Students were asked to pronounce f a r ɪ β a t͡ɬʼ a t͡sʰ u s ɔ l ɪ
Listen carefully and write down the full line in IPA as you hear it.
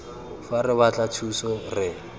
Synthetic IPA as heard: f a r ɪ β a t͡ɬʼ a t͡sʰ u s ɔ r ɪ